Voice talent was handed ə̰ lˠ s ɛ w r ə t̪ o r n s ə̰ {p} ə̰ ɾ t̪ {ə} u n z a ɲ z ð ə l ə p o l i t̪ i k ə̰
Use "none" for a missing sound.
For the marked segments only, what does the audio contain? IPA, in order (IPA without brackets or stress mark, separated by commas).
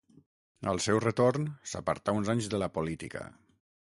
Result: p, a